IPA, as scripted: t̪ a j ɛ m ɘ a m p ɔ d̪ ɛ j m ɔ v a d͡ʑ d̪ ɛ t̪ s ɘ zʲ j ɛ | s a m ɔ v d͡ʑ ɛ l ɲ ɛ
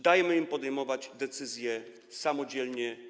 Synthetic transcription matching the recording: d̪ a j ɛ m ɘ i m p ɔ d̪ ɛ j m ɔ v a d͡ʑ d̪ ɛ t̪ s ɘ zʲ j ɛ | s a m ɔ d͡ʑ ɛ l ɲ ɛ

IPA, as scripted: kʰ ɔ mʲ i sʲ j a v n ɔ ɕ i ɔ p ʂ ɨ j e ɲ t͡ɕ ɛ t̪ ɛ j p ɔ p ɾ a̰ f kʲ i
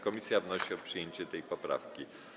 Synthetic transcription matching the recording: k ɔ mʲ i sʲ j a v n ɔ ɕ i ɔ p ʂ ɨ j e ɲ t͡ɕ ɛ t̪ ɛ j p ɔ p ɾ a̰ f kʲ i

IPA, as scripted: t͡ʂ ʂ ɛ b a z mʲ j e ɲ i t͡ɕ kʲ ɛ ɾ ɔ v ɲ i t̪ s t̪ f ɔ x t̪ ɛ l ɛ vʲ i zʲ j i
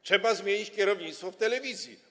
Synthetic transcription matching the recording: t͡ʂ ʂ ɛ b a z mʲ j e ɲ i t͡ɕ kʲ ɛ ɾ ɔ v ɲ i t̪ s t̪ f ɔ f t̪ ɛ l ɛ vʲ i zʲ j i

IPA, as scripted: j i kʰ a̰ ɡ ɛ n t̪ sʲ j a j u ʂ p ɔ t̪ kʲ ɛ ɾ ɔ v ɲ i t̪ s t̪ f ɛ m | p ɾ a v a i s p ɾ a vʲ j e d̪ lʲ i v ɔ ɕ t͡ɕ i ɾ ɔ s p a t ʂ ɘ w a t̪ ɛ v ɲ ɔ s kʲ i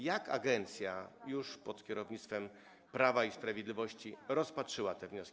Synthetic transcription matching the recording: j a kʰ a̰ ɡ ɛ n t̪ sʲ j a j u ʂ p ɔ t̪ kʲ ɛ ɾ ɔ v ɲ i t̪ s t̪ f ɛ m | p ɾ a v a i s p ɾ a vʲ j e d̪ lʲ i v ɔ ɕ t͡ɕ i ɾ ɔ s p a t ʂ ɘ w a t̪ ɛ v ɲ ɔ s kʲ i

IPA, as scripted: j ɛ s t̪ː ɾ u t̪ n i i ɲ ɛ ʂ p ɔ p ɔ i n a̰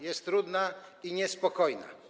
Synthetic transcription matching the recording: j ɛ s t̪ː ɾ u d̪ n a i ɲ ɛ s p ɔ k ɔ j n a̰

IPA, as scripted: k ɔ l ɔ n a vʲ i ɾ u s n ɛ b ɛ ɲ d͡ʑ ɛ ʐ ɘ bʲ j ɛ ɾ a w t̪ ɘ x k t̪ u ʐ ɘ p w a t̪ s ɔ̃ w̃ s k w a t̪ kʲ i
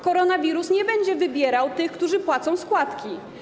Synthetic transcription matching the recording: k ɔ ɾ ɔ n a vʲ i ɾ u s ɲ ɛ b ɛ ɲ d͡ʑ ɛ v ɘ bʲ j ɛ ɾ a w t̪ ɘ x k t̪ u ʐ ɘ p w a t̪ s ɔ̃ w̃ s k w a t̪ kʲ i

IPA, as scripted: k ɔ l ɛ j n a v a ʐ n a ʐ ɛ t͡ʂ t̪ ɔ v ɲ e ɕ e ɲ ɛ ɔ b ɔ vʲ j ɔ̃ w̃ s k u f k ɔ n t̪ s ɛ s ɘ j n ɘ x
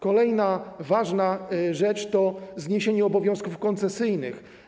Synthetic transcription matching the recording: k ɔ l ɛ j n a v a ʐ n a ʐ ɛ t͡ʂ t̪ ɔ z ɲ e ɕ e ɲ ɛ ɔ b ɔ vʲ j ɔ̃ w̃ s k u f k ɔ n t̪ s ɛ s ɘ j n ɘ x

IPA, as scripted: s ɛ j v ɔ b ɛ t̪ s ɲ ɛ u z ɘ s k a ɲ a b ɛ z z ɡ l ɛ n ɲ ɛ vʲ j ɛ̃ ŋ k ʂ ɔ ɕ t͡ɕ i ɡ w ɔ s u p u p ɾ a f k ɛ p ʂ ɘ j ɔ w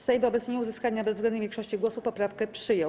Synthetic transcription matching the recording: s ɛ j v ɔ b ɛ t̪ s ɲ ɛ u z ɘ s k a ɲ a b ɛ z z ɡ l ɛ n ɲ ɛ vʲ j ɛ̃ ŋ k ʂ ɔ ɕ t͡ɕ i ɡ w ɔ s u p ɔ p ɾ a f k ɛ p ʂ ɘ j ɔ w

